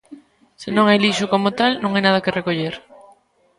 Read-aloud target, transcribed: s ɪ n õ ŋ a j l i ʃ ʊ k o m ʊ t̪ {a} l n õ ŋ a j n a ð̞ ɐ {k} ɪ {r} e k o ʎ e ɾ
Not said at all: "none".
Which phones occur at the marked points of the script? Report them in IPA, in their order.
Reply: a, k, r

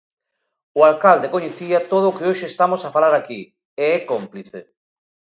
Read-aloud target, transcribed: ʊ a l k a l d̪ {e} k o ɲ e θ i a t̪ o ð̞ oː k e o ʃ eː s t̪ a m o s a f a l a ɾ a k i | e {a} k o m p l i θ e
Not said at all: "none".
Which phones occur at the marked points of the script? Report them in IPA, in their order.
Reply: e, ɛ

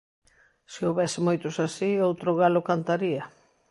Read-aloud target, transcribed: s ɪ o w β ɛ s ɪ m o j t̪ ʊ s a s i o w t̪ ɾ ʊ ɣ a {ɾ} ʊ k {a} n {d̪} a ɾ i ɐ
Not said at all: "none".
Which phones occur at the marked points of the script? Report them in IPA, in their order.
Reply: l, a, t̪

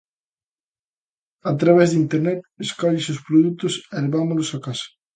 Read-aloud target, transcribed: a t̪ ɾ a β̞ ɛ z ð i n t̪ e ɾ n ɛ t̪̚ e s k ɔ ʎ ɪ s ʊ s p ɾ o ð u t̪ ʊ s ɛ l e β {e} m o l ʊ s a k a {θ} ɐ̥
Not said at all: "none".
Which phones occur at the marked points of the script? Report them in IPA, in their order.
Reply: a, s

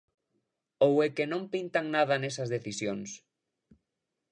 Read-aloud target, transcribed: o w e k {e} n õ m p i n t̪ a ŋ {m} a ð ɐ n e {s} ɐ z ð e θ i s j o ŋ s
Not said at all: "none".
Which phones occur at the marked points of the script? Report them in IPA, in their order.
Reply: e, n, s

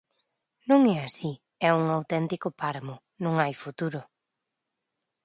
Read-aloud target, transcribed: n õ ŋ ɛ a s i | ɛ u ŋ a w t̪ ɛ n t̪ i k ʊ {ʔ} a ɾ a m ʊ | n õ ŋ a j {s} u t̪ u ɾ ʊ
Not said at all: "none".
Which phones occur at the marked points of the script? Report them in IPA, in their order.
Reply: p, f

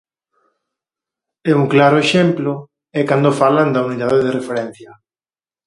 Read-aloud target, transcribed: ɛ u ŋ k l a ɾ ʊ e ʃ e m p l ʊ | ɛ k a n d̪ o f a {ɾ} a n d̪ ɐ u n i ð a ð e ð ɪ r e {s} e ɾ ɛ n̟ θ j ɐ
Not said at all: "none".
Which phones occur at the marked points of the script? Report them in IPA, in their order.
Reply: l, f

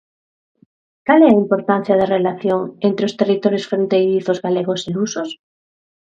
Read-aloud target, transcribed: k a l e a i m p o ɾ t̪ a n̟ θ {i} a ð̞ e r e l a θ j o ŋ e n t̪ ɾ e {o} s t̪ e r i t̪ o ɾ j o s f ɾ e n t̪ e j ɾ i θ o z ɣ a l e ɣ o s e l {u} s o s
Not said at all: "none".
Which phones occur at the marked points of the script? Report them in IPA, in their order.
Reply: j, o, u

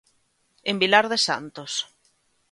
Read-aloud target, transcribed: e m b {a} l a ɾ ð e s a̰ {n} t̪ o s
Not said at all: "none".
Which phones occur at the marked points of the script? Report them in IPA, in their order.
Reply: i, n

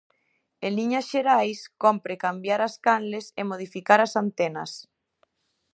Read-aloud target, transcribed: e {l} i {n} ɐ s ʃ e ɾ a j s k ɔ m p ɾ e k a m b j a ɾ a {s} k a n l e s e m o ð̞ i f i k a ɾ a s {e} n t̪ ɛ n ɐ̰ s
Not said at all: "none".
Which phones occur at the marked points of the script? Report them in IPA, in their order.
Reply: l, ɲ, s, a

